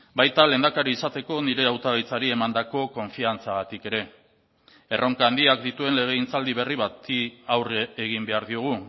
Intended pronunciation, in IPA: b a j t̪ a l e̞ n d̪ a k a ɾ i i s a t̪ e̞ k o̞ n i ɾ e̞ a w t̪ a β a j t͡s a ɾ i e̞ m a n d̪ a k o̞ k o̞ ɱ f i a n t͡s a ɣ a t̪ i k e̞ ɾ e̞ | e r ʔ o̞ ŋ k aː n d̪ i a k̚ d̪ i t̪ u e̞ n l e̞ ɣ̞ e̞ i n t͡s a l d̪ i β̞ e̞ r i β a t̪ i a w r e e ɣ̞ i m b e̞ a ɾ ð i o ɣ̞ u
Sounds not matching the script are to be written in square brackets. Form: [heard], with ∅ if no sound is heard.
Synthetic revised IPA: b a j t̪ a l e̞ n d̪ a k a ɾ i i s a t̪ e̞ k o̞ n i ɾ e̞ a w t̪ a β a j t͡s a ɾ i e̞ m a n d̪ a k o̞ k o̞ ɱ f i a n t͡s a ɣ a t̪ i k e̞ ɾ e̞ | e r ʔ o̞ ŋ k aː n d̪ i a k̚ d̪ i t̪ u e̞ n l e̞ ɣ̞ e̞ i n t͡s a l d̪ i β̞ e̞ r i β a t̪ i a w r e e ɣ̞ i m b e̞ a ɾ ð i o ɣ̞ u